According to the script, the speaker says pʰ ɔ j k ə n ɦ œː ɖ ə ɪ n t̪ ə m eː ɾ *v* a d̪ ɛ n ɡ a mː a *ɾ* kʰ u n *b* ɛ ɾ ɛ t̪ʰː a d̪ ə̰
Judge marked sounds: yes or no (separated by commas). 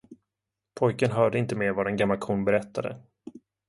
yes, no, yes